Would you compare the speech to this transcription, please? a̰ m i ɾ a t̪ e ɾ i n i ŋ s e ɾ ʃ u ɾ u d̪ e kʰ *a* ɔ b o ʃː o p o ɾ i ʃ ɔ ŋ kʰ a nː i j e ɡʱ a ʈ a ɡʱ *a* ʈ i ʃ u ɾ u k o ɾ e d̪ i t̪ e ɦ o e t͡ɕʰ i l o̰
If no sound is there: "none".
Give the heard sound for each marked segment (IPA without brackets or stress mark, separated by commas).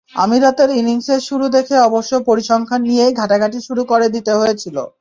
e, a